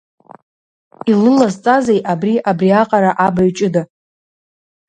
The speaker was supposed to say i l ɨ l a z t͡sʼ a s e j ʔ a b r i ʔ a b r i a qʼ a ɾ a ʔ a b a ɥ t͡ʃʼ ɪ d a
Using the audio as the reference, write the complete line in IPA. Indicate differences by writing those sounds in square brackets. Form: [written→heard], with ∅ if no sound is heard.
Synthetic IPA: i l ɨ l a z t͡sʼ a [s→z] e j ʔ a b r i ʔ a b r i a qʼ a ɾ a ʔ a b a ɥ t͡ʃʼ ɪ d a